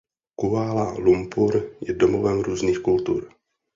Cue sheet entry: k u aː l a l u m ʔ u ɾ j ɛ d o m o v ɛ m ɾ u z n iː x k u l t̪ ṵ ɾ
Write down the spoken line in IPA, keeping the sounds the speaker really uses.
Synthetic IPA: k u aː l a l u m p u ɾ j ɛ d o m o v ɛ m ɾ uː z n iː x k u l t̪ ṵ ɾ